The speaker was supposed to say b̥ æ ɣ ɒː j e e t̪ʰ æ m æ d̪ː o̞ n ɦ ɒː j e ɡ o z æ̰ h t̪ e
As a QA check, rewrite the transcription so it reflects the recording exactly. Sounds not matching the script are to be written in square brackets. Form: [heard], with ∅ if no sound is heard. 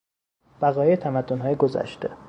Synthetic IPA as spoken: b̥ æ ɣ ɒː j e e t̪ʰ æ m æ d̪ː o̞ n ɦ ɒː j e ɡ o z æ̰ [ʃ] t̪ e